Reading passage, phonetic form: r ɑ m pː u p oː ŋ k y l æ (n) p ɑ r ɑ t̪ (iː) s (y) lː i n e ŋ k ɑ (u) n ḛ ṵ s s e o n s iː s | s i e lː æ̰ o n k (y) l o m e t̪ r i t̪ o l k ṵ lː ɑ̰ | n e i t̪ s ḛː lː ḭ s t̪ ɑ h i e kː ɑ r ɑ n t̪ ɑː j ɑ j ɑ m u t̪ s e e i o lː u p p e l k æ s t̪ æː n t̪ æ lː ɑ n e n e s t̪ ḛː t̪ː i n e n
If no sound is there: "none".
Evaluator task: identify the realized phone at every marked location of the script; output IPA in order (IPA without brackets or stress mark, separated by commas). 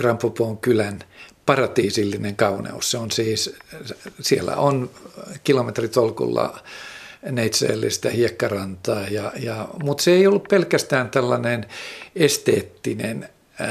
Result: n, iː, i, u, i